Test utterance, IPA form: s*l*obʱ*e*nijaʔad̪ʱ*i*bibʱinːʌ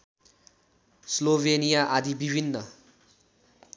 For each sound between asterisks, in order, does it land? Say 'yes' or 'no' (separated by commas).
yes, yes, yes